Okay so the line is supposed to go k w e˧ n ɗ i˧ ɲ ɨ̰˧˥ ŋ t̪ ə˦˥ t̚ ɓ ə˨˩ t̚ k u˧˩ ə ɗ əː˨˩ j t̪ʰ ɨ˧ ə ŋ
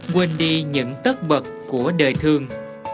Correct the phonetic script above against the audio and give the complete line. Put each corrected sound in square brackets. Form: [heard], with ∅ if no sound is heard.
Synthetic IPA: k w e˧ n ɗ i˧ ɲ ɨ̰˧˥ ŋ t̪ ə˦˥ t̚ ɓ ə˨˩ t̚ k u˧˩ ə ɗ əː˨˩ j t̪ʰ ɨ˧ ə ŋ